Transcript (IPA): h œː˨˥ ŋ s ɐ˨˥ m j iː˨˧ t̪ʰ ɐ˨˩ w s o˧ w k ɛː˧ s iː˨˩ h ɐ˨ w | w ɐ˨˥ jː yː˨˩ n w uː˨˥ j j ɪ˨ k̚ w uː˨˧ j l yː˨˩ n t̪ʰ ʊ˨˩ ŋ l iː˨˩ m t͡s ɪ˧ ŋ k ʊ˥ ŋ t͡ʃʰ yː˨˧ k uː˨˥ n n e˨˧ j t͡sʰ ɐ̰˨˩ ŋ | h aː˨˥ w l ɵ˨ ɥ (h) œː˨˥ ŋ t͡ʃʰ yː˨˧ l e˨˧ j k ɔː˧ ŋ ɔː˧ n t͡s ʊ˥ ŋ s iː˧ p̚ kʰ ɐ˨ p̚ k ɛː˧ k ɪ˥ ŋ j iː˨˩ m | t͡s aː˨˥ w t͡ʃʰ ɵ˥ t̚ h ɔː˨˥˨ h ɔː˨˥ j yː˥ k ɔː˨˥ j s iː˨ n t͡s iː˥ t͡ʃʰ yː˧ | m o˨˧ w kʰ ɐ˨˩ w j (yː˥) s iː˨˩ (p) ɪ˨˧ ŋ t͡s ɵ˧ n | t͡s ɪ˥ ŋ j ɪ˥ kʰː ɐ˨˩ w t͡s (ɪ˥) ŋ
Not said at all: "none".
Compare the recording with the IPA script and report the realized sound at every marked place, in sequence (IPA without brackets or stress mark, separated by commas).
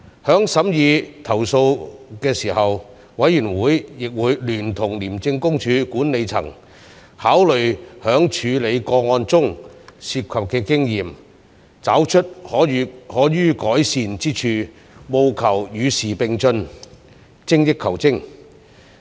h, yː˨˧, p, ɪ˥